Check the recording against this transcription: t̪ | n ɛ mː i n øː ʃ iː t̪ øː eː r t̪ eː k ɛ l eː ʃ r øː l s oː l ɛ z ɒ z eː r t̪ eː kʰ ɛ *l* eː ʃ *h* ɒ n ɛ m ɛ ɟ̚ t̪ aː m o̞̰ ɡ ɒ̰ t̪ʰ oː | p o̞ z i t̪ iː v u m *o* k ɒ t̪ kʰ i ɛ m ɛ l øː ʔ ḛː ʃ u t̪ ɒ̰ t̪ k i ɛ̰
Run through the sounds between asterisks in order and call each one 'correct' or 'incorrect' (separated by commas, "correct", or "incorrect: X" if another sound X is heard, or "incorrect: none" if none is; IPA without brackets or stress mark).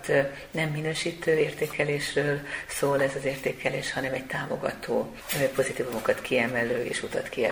correct, correct, correct